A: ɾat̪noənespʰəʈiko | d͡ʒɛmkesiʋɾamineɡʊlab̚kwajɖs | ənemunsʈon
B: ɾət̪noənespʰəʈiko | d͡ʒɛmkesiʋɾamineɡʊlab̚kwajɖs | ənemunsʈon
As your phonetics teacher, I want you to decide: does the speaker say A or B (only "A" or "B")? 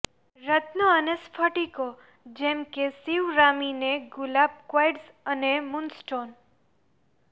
B